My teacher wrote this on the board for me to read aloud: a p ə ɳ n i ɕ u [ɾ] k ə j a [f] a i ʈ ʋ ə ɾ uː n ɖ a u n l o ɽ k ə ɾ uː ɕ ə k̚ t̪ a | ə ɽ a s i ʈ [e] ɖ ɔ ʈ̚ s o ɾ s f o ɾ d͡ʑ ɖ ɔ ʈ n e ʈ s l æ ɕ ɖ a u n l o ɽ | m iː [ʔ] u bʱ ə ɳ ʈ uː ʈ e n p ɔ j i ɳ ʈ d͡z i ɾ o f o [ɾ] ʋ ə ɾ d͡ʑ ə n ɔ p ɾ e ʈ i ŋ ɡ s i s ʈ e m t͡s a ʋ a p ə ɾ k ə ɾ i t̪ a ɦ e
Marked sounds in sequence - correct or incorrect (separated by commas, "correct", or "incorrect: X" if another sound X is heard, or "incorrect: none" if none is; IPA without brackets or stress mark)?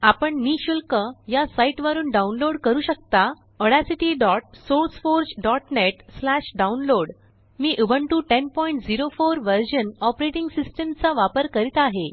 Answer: incorrect: l, incorrect: s, incorrect: i, correct, correct